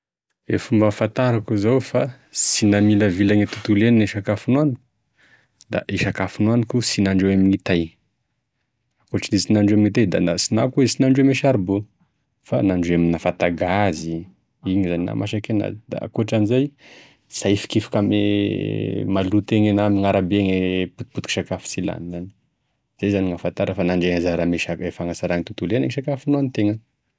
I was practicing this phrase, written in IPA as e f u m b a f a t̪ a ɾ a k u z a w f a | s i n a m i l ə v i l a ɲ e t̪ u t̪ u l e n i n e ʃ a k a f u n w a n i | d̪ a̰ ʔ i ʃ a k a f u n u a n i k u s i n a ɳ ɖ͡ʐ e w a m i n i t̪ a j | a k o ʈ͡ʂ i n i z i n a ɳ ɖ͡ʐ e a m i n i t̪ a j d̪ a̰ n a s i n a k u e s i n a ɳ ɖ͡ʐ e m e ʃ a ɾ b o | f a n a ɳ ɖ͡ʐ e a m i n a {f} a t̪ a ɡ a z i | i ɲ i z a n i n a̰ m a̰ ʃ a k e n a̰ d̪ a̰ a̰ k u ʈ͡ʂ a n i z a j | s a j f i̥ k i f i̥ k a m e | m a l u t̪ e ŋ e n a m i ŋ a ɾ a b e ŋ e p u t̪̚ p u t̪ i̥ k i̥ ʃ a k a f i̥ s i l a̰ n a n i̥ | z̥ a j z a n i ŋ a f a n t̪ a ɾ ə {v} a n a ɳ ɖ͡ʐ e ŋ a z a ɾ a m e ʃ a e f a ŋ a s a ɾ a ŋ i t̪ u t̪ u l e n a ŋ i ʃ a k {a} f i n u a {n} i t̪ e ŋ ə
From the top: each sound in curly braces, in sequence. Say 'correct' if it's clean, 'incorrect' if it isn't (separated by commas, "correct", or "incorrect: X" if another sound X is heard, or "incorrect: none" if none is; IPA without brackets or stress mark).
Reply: correct, incorrect: f, correct, correct